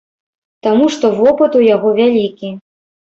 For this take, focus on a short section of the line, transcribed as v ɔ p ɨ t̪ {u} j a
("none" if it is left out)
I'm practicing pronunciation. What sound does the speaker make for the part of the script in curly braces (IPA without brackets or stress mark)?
u